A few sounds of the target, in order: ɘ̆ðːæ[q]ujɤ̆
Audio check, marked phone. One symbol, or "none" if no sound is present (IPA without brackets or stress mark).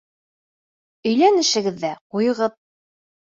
q